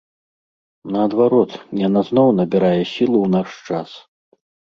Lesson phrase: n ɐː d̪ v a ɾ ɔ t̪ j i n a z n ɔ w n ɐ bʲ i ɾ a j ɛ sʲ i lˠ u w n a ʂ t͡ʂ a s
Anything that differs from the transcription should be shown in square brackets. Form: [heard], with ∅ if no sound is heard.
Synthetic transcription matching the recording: n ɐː d̪ v a ɾ ɔ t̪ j [a] n a z n ɔ w n ɐ bʲ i ɾ a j ɛ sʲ i lˠ u w n a ʂ t͡ʂ a s